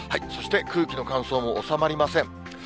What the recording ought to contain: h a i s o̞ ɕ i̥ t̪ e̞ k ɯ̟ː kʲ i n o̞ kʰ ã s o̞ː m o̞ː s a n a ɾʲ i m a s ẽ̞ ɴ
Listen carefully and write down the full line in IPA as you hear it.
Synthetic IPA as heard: h a i s o̞ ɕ i̥ t̪ e̞ k ɯ̟ː kʲ i n o̞ k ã s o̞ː m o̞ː s a m a ɾʲ i m a s ẽ̞ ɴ